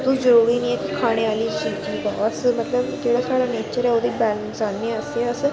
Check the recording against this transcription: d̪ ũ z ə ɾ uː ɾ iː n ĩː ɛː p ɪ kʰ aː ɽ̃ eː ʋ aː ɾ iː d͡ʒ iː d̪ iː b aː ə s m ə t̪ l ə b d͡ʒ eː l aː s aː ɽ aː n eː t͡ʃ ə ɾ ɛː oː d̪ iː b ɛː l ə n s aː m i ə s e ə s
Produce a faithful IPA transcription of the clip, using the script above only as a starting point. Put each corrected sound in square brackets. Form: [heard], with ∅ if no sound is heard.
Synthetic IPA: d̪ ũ z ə ɾ uː ɾ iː n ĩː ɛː [k] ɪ kʰ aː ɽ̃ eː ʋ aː [l] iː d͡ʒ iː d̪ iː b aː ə s m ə t̪ l ə b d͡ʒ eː [ɽ] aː s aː ɽ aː n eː t͡ʃ ə ɾ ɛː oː d̪ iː b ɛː l ə n s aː [n] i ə s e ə s